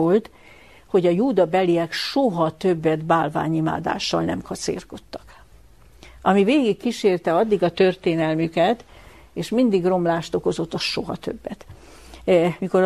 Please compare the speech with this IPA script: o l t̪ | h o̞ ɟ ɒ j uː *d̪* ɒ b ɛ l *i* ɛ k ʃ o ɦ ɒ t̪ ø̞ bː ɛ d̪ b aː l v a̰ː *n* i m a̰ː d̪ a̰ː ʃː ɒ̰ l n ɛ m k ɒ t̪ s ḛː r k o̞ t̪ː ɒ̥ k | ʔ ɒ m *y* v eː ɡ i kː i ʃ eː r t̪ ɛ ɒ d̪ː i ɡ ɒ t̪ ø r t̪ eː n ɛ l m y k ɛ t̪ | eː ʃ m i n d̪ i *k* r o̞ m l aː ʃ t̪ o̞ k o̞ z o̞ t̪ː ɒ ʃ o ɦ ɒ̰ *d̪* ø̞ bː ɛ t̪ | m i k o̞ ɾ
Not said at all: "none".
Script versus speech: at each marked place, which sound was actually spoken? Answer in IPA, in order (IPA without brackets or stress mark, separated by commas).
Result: d̪, i, ɲ, i, ɡ, t̪